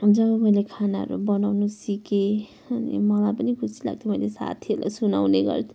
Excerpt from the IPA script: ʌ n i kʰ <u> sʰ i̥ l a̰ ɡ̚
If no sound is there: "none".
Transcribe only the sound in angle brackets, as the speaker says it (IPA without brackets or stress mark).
u